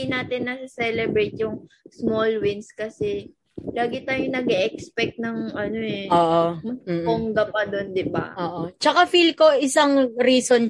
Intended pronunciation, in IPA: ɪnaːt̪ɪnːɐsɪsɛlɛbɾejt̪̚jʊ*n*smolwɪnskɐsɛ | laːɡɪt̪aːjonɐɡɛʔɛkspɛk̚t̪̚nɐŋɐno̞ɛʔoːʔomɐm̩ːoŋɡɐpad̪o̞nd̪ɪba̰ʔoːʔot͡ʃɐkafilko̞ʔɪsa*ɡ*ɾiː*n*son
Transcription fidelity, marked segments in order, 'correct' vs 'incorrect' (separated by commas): incorrect, incorrect, incorrect